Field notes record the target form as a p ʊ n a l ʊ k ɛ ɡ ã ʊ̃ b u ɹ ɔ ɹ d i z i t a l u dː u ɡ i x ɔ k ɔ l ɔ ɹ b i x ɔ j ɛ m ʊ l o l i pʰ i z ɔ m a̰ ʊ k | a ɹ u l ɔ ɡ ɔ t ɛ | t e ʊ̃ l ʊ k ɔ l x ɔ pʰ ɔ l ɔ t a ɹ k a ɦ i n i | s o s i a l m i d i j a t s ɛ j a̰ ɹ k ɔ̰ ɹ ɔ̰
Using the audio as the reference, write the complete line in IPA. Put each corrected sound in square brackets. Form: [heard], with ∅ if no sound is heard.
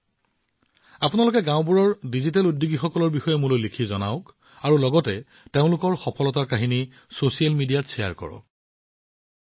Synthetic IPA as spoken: a p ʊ n a l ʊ k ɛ ɡ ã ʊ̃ b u ɹ ɔ ɹ d i z i t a l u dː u ɡ i x ɔ k ɔ l ɔ ɹ b i x ɔ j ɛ m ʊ l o l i [kʰ] i z ɔ [n] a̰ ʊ k | a ɹ u l ɔ ɡ ɔ t ɛ | t e ʊ̃ l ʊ k ɔ [ɹ] x ɔ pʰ ɔ l ɔ t a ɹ k a ɦ i n i | s o s i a l m i d i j a t s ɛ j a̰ ɹ k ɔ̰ ɹ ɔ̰